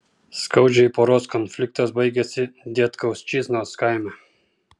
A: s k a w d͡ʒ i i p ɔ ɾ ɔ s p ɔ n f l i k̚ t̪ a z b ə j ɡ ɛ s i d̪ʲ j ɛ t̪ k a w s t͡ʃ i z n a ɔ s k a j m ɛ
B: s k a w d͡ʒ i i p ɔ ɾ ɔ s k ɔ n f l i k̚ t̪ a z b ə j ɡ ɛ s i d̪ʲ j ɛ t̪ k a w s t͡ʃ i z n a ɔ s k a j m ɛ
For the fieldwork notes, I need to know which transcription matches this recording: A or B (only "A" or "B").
B